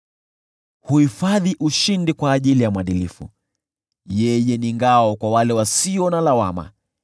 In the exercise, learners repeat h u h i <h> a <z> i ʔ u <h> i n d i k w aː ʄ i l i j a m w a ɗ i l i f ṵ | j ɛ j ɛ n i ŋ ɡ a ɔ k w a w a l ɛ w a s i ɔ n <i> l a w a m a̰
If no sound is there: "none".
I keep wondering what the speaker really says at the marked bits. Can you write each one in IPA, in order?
f, ð, ʃ, a

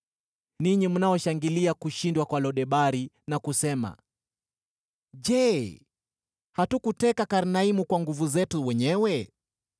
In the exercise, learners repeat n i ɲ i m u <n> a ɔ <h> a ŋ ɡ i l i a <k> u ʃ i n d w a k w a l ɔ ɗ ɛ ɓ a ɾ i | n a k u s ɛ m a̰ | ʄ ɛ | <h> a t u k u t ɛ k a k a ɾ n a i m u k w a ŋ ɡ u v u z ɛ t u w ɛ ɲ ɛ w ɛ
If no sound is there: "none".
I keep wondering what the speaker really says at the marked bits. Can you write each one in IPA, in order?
n, ʃ, k, h

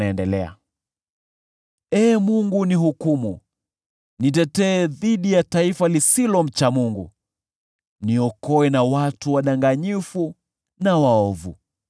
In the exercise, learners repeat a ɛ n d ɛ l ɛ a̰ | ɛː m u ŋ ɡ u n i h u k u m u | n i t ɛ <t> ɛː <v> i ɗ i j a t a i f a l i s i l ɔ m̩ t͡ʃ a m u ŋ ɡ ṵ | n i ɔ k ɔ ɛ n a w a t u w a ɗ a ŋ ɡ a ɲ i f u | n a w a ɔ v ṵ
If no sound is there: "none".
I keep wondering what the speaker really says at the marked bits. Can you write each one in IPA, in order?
t, ð

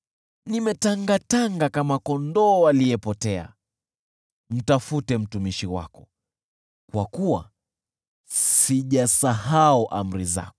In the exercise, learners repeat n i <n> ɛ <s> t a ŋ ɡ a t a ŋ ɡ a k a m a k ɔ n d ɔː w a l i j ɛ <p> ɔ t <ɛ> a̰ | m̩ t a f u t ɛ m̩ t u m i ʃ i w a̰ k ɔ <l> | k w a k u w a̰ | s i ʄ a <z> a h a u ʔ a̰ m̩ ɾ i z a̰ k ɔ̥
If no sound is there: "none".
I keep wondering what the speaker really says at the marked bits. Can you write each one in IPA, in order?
m, none, p, ɛ, none, s

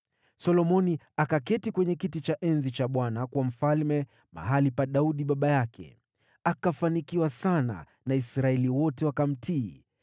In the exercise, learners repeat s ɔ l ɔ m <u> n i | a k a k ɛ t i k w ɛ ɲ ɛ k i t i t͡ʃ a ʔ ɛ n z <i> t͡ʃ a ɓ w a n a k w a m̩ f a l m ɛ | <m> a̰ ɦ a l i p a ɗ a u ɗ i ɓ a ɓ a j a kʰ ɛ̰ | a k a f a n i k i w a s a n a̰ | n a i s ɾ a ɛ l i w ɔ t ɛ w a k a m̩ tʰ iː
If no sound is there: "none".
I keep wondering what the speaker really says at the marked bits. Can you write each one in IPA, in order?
ɔ, i, m

